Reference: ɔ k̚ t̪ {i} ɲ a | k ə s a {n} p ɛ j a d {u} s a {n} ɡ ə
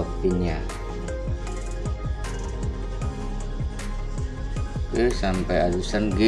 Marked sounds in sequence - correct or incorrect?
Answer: correct, incorrect, correct, correct

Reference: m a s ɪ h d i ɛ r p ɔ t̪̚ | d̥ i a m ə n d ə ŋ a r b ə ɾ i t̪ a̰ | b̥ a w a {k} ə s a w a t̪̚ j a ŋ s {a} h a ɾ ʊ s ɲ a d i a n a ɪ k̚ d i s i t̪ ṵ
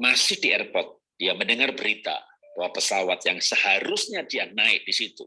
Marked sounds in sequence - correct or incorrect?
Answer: incorrect, incorrect

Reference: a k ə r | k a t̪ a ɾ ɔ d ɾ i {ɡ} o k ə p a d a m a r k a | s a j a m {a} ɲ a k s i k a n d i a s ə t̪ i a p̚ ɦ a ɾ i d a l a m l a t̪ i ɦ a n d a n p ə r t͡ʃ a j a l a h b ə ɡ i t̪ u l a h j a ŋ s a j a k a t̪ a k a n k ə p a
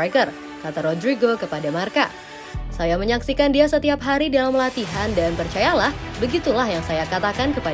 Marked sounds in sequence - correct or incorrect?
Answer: correct, incorrect

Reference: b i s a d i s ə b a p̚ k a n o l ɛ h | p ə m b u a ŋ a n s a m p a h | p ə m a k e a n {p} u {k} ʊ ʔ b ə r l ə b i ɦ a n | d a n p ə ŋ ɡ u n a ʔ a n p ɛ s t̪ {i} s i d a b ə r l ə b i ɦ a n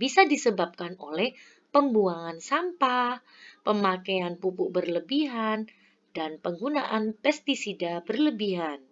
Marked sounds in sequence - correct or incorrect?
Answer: correct, incorrect, correct

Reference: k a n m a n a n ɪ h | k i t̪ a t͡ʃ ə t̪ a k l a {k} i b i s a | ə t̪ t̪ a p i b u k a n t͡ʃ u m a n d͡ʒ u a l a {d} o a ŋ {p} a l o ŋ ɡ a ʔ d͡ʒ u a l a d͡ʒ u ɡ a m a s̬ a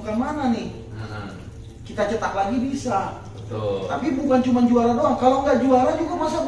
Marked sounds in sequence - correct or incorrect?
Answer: incorrect, correct, incorrect

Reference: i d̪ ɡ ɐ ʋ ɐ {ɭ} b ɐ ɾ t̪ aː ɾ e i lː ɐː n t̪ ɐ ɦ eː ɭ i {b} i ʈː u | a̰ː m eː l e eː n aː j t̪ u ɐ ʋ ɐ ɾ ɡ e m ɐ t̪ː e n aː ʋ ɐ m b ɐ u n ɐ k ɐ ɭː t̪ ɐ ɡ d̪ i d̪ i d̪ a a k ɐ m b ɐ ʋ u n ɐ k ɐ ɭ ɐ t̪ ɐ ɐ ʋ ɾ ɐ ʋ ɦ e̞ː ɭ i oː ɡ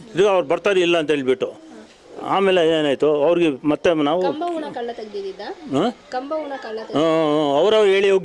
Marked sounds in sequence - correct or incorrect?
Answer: incorrect, correct

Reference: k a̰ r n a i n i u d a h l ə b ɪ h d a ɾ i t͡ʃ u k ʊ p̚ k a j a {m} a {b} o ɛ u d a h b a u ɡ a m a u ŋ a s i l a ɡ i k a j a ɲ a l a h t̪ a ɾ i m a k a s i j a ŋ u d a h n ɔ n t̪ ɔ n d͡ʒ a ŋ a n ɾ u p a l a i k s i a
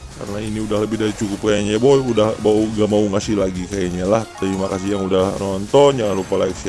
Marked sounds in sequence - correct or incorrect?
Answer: incorrect, correct

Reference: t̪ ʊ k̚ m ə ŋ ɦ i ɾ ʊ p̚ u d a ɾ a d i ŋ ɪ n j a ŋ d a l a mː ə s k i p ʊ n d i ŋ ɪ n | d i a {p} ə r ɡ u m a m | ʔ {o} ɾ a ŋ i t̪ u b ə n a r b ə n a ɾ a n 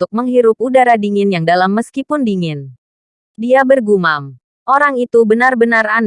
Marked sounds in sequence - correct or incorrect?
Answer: incorrect, correct

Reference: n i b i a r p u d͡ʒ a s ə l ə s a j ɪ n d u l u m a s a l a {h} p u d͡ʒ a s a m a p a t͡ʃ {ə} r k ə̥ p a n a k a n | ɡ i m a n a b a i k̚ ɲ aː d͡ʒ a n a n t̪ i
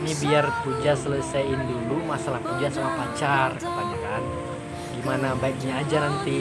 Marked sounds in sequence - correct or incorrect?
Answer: correct, incorrect

